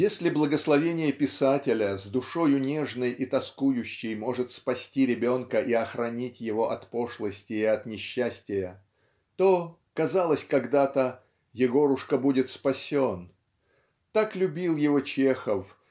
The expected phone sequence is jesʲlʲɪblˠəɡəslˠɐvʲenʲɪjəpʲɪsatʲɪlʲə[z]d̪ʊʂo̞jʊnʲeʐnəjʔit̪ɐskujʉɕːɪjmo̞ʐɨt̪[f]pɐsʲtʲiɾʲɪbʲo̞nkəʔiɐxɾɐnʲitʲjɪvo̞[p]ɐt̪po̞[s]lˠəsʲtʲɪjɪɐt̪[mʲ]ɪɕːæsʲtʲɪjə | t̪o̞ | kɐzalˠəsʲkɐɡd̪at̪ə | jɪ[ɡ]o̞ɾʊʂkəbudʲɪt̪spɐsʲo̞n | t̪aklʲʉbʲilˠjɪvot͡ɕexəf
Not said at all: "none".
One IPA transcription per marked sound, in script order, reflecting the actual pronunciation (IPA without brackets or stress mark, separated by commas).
z, s, ʔ, ʂ, nʲ, ɡ